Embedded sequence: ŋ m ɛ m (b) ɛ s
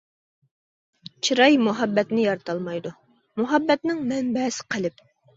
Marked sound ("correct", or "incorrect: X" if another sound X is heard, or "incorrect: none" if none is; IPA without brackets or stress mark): correct